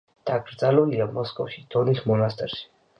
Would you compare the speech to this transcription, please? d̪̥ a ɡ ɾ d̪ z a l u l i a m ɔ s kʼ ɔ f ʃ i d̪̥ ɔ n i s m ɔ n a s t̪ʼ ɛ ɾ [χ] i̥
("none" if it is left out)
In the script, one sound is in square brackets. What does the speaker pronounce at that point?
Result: ʃ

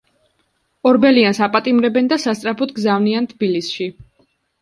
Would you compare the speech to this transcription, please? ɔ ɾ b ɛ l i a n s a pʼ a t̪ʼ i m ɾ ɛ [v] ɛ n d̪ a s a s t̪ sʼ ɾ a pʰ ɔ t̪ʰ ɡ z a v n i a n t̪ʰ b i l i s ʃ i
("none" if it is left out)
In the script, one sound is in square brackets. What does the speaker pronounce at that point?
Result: b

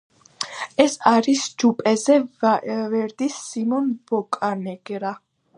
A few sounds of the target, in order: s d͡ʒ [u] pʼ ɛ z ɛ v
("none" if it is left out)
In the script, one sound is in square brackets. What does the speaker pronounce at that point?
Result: u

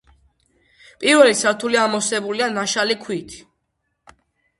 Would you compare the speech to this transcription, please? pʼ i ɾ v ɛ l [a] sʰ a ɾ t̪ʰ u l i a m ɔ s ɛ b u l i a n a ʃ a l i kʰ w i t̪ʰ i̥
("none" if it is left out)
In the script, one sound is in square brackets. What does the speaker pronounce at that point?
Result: i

